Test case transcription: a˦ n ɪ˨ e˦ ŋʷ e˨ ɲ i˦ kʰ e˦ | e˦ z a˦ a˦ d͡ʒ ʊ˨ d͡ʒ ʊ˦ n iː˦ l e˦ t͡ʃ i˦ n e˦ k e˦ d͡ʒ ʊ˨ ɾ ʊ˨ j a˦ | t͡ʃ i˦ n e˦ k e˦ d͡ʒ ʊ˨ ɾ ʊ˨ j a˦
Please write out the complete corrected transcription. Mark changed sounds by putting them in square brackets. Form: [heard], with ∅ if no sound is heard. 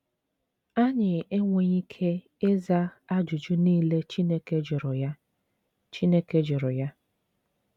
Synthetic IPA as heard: a˦ [ɲ] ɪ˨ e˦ ŋʷ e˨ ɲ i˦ kʰ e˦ | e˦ z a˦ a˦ d͡ʒ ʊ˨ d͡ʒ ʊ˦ n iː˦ l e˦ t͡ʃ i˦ n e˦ k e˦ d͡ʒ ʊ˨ ɾ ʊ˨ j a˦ | t͡ʃ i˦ n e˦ k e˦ d͡ʒ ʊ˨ ɾ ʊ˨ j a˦